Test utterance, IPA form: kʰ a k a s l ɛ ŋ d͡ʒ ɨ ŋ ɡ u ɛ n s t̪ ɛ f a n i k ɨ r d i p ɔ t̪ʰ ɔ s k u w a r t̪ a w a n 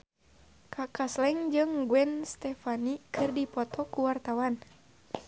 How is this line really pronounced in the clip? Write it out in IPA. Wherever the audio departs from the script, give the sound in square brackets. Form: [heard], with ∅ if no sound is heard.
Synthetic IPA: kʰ a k a s l ɛ ŋ d͡ʒ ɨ ŋ ɡ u ɛ n s t̪ ɛ f a n i k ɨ r d i p ɔ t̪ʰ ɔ [∅] k u w a r t̪ a w a n